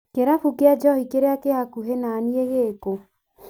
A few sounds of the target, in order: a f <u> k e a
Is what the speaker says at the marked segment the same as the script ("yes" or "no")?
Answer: yes